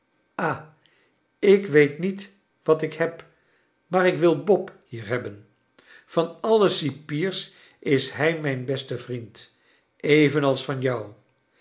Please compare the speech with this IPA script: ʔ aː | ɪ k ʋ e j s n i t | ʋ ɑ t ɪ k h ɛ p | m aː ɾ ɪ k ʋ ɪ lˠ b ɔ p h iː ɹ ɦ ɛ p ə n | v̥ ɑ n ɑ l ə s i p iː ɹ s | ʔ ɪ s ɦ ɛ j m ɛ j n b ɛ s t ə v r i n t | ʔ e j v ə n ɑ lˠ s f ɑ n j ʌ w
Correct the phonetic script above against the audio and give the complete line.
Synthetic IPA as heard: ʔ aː | ɪ k ʋ e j t n i t | ʋ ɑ t ɪ k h ɛ p | m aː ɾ ɪ k ʋ ɪ lˠ b ɔ p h iː ɹ ɦ ɛ b ə n | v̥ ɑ n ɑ l ə s i p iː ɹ s | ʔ ɪ s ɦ ɛ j m ɛ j n b ɛ s t ə v r i n t | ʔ e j v ə n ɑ lˠ s f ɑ n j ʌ w